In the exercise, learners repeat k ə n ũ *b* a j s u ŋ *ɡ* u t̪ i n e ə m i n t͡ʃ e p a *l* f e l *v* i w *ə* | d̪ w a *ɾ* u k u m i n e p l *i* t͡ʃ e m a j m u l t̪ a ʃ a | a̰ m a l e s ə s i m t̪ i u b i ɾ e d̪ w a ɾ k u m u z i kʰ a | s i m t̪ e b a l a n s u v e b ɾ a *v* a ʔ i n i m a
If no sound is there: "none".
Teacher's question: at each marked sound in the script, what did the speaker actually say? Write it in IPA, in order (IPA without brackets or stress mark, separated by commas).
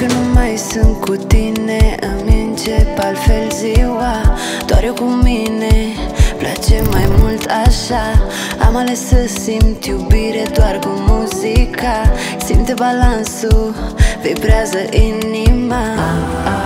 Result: m, k, l, z, a, ɾ, a, z